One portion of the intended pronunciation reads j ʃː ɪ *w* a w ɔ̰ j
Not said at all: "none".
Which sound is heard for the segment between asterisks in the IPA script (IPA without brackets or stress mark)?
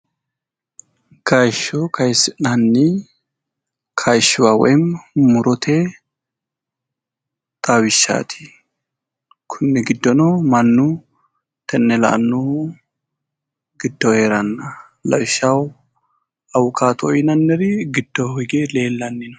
w